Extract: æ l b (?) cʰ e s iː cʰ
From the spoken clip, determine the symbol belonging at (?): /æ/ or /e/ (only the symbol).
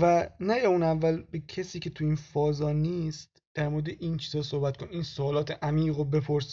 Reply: e